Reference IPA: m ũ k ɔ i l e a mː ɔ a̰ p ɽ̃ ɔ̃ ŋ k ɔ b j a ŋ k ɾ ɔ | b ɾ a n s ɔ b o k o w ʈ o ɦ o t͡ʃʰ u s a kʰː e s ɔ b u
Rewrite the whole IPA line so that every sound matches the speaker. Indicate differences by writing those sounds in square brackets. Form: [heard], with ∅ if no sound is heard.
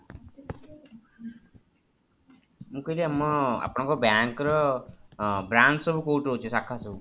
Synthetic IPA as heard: m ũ k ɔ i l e a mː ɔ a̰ p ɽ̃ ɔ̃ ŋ k ɔ b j a ŋ k ɾ ɔ | b ɾ a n s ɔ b [u] k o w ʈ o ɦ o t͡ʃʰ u s a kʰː [a] s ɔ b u